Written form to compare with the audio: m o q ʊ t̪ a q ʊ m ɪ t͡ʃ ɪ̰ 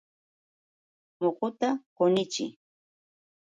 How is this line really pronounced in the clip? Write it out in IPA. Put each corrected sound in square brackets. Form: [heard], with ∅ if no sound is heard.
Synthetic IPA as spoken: m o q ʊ t̪ a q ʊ [n] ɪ t͡ʃ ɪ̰